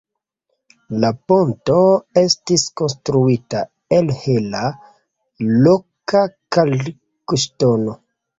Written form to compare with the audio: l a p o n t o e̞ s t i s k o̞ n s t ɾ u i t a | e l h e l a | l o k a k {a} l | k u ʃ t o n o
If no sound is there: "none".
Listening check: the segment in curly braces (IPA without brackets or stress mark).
a